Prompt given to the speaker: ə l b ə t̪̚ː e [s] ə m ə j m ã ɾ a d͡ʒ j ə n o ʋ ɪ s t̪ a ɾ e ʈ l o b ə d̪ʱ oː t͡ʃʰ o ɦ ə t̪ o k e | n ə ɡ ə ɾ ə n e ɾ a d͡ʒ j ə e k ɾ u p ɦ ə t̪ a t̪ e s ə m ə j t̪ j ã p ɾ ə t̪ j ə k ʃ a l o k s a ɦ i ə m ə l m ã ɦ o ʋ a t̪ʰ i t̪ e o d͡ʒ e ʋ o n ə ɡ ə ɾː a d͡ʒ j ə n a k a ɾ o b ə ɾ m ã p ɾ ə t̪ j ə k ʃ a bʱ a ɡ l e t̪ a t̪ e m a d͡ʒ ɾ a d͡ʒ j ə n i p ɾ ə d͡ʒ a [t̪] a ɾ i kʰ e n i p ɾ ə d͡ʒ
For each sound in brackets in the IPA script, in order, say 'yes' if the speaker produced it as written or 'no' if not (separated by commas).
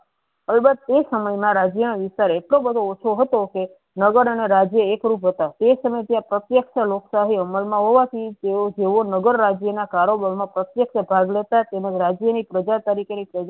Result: yes, yes